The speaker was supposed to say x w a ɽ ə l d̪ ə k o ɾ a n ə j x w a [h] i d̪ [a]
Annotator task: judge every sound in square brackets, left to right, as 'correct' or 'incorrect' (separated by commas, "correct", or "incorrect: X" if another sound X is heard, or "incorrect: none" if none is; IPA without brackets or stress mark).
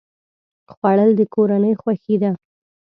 incorrect: x, correct